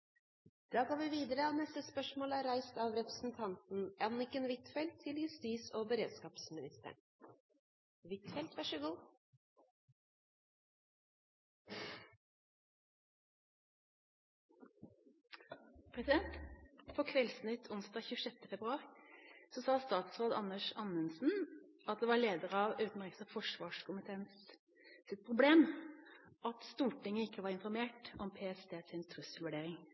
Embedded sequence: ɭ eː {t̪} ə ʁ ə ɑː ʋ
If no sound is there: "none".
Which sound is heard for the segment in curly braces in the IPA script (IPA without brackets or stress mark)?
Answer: d̪